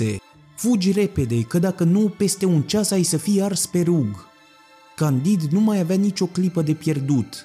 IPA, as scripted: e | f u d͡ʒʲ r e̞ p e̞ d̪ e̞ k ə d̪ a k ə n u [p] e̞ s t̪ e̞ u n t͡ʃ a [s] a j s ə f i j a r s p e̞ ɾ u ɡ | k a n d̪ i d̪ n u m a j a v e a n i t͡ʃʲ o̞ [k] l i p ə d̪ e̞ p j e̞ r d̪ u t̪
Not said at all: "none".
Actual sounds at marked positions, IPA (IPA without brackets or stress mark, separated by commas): p, s, k